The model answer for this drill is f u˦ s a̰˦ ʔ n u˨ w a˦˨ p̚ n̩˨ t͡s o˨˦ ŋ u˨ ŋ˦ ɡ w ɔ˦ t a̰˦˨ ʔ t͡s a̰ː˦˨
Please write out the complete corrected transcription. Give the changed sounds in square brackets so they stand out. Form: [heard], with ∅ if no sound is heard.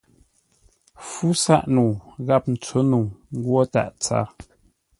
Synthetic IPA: f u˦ s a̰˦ ʔ n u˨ [ɣ] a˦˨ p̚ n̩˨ t͡s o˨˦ [n] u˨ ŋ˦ ɡ w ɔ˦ t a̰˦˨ ʔ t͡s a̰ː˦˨

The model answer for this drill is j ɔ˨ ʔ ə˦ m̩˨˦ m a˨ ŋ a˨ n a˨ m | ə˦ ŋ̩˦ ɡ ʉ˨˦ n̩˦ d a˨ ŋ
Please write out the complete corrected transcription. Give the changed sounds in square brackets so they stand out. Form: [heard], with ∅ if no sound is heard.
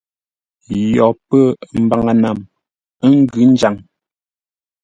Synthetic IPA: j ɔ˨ [p] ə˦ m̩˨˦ [b] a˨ ŋ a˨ n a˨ m | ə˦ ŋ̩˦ ɡ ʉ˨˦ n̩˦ [d͡ʒ] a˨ ŋ

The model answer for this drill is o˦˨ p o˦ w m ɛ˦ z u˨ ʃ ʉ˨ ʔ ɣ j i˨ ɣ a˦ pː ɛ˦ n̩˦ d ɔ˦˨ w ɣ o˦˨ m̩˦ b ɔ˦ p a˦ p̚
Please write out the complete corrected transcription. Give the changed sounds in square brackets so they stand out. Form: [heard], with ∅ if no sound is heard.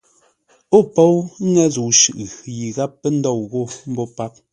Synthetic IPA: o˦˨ p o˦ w [ŋ] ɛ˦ z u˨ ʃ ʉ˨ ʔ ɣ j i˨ ɣ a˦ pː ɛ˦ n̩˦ d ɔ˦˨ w ɣ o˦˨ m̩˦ b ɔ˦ p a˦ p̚

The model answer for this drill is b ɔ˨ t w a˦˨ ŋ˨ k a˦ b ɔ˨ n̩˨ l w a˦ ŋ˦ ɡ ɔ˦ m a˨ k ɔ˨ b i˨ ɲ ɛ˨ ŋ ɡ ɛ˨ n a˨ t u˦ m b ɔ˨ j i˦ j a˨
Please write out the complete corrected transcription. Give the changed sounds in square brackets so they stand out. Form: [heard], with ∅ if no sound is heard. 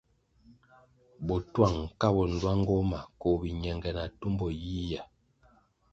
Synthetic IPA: b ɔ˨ t w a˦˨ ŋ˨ k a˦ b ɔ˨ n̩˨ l w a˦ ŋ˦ ɡ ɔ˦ m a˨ k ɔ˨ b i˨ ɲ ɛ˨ ŋ ɡ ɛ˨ n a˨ t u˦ m b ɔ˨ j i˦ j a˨

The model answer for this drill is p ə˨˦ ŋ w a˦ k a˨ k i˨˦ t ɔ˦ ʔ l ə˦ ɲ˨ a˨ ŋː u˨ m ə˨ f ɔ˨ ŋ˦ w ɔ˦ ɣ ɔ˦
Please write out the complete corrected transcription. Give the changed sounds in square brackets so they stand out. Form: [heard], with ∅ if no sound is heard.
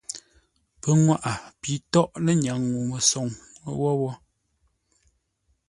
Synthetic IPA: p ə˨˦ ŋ w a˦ [ʔ] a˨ [p] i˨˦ t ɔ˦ ʔ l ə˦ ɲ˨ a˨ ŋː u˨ m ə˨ [s] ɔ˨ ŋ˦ w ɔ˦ [w] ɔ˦

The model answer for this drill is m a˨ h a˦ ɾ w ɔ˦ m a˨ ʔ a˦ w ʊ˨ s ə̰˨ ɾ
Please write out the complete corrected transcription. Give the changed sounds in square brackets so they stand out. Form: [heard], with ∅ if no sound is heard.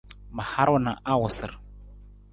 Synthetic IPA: m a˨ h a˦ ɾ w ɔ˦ [n] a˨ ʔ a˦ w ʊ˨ s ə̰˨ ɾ

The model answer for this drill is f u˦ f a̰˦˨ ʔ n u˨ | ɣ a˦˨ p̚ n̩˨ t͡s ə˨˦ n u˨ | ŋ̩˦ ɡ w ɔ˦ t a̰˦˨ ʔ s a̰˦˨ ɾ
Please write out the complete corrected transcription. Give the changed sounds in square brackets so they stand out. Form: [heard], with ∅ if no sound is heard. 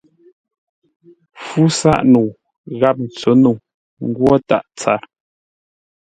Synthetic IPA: f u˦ [s] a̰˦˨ ʔ n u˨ | ɣ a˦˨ p̚ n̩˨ t͡s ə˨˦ n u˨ | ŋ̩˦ ɡ w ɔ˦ t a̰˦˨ ʔ [t͡s] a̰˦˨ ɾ

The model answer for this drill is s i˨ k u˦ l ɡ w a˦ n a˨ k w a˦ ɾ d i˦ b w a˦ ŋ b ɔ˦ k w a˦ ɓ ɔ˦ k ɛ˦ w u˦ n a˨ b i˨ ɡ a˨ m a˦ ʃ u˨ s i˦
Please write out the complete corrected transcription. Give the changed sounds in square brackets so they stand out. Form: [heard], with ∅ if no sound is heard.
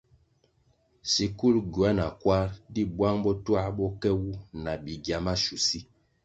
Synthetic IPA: s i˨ k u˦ l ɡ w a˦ n a˨ k w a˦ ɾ d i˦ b w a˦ ŋ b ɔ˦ [t] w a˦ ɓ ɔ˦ k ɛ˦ w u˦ n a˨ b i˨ ɡ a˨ m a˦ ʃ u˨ s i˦

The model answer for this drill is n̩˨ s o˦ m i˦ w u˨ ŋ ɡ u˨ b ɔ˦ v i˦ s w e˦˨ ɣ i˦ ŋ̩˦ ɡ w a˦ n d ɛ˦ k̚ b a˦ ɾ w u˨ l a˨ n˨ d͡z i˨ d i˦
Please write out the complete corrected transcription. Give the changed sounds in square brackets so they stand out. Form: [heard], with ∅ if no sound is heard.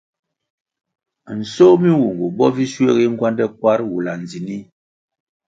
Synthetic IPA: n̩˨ s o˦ m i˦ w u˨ ŋ ɡ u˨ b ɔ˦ v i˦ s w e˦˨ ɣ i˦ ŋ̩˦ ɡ w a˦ n d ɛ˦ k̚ [w] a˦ ɾ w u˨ l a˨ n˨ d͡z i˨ [n] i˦

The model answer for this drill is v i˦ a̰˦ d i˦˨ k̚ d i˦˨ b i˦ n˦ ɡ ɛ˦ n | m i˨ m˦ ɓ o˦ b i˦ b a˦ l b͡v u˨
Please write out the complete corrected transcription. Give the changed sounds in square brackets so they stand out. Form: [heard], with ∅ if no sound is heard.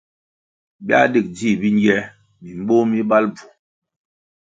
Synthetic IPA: [b] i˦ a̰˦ d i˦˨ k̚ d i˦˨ b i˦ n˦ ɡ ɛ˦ [∅] | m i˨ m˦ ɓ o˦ [m] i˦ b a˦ l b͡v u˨

